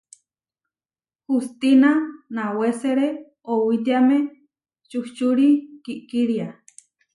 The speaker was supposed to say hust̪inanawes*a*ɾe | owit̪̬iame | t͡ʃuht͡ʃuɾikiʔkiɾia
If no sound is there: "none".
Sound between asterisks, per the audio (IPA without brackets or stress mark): e